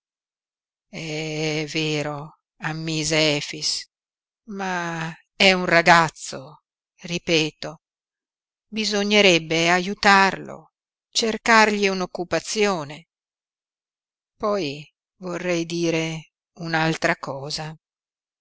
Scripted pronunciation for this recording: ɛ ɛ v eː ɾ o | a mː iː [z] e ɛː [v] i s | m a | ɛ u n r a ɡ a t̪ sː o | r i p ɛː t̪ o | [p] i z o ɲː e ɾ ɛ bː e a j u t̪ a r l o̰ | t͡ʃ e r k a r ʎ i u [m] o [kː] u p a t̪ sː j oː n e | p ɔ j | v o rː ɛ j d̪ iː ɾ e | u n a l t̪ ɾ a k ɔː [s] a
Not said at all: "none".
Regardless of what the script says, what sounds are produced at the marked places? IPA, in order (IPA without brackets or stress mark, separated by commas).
z, f, b, n, kː, z